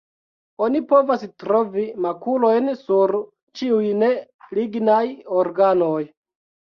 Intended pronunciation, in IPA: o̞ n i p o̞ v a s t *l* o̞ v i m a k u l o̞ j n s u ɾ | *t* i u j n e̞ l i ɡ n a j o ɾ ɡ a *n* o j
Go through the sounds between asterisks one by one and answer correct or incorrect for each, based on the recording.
incorrect, incorrect, correct

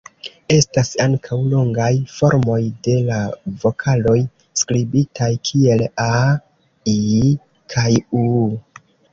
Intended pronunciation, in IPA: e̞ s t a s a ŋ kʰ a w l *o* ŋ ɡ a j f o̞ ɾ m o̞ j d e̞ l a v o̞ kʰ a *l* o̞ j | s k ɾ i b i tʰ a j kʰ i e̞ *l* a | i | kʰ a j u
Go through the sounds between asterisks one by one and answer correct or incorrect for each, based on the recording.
correct, correct, correct

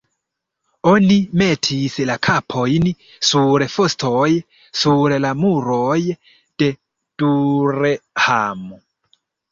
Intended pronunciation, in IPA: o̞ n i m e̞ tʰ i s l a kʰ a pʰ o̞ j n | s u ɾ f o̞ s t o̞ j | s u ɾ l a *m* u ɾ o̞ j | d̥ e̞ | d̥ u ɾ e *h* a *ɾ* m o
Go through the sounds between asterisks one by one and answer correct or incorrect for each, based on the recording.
correct, correct, incorrect

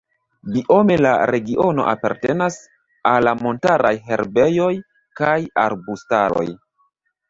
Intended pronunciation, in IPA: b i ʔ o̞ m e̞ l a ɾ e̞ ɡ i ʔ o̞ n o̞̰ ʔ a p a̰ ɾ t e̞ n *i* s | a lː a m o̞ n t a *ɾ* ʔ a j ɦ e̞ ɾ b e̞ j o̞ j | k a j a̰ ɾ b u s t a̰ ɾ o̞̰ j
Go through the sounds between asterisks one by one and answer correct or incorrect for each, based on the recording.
incorrect, correct

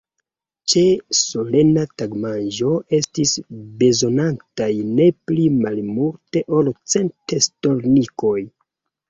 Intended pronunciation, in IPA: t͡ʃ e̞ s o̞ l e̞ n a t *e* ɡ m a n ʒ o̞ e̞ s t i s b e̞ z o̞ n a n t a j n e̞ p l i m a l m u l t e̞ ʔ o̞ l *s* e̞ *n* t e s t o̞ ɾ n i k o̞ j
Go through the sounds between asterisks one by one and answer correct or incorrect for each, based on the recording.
incorrect, incorrect, correct

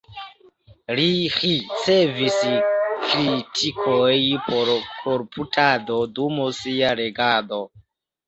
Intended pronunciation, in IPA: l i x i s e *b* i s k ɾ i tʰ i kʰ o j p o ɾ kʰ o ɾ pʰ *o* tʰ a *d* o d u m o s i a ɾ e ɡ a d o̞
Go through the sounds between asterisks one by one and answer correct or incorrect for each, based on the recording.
incorrect, incorrect, correct

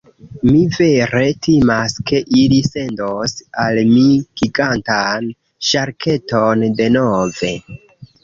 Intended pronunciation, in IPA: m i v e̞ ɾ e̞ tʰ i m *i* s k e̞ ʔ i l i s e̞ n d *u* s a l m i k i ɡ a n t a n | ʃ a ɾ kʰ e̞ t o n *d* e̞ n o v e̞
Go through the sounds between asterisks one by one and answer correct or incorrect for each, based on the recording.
incorrect, incorrect, correct

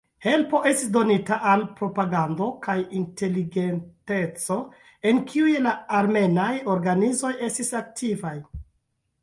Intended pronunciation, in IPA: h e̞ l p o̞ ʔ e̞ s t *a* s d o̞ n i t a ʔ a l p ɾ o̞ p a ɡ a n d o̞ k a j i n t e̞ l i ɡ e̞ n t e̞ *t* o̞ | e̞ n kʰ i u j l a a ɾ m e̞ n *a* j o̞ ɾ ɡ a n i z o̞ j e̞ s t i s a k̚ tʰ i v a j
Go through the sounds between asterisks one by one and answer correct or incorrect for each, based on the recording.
incorrect, incorrect, correct

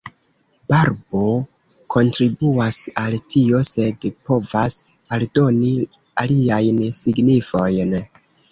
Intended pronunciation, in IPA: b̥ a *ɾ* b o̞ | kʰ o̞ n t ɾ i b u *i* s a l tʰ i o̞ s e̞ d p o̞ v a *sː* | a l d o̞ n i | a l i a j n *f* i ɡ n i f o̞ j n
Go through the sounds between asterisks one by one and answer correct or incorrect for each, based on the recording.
correct, incorrect, incorrect, incorrect

